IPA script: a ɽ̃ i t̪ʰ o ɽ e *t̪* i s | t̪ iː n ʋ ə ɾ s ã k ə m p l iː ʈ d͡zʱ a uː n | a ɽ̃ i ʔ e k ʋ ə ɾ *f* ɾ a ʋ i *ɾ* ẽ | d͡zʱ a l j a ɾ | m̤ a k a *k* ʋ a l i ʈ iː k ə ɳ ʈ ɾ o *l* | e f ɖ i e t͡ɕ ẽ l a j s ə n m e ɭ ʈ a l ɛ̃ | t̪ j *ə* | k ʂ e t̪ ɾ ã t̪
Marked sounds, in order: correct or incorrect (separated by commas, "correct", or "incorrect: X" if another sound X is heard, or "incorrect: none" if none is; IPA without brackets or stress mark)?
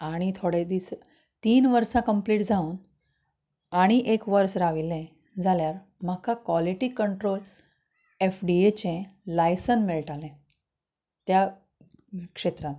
incorrect: d̪, incorrect: s, incorrect: l, correct, correct, incorrect: a